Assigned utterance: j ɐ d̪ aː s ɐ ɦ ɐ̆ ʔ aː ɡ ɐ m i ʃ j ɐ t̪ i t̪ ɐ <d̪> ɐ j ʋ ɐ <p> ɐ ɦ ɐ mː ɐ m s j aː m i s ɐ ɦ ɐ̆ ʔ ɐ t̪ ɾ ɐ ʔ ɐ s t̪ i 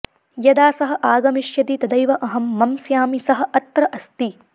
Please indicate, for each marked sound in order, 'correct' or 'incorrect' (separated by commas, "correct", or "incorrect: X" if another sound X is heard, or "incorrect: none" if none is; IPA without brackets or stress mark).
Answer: correct, incorrect: ʔ